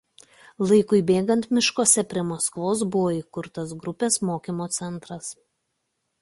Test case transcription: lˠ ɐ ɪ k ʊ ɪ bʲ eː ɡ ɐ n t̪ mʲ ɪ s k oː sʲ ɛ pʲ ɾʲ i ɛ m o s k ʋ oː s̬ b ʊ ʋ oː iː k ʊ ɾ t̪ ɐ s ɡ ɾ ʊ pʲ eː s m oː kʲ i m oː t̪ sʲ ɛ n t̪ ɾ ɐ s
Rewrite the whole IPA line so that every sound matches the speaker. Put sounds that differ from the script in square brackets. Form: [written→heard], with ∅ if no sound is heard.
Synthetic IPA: lˠ ɐ ɪ k ʊ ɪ bʲ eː ɡ ɐ n t̪ mʲ ɪ [s→ʃ] k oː sʲ ɛ pʲ ɾʲ i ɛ m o s k ʋ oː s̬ b ʊ ʋ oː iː k ʊ ɾ t̪ ɐ s ɡ ɾ ʊ pʲ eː s m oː kʲ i m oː t̪ sʲ ɛ n t̪ ɾ ɐ s